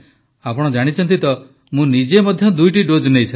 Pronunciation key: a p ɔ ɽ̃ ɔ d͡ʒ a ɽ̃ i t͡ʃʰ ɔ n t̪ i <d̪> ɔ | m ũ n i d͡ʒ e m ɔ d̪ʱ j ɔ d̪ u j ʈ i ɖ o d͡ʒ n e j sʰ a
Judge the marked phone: incorrect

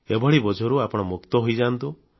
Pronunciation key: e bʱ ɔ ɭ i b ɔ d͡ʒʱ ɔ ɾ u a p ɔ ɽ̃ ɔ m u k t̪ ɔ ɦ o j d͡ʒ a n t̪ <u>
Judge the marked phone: correct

